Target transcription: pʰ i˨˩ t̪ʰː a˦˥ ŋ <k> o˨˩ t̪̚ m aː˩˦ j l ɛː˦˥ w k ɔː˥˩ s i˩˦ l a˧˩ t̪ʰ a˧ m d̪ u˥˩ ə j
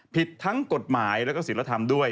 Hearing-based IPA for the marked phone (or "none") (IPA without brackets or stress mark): k